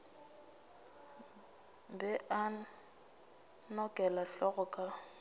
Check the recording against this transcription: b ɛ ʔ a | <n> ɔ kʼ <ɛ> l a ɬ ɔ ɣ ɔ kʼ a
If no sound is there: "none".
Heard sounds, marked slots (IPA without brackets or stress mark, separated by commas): n, ɛ